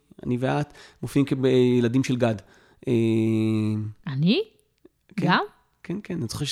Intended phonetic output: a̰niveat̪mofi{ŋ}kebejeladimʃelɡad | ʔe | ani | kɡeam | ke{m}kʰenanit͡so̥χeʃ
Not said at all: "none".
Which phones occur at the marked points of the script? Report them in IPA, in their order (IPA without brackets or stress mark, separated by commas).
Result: m, n